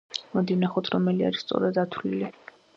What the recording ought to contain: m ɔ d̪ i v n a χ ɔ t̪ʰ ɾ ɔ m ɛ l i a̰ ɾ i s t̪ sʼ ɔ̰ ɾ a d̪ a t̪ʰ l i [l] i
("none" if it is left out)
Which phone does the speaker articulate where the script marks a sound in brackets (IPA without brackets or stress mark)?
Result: l